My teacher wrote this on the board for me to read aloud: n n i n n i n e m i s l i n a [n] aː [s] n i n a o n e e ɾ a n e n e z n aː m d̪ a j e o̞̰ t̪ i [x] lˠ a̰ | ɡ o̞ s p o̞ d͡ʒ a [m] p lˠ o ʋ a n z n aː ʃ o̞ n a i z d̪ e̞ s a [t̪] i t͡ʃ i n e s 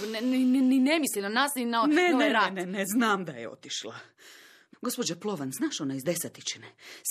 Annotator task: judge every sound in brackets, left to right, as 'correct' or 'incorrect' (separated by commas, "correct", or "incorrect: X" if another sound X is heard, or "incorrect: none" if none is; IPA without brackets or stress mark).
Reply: correct, correct, incorrect: ʃ, incorrect: none, correct